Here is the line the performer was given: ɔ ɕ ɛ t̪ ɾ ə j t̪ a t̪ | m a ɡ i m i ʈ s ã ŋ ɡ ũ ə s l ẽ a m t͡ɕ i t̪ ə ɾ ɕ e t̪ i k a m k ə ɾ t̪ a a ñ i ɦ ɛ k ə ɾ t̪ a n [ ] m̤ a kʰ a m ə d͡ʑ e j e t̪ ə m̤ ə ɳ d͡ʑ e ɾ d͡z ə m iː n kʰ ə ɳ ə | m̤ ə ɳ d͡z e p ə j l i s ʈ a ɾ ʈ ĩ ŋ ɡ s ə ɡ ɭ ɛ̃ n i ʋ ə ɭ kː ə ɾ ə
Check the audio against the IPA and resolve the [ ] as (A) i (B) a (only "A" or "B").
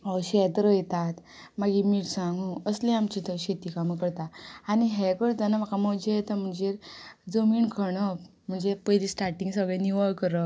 B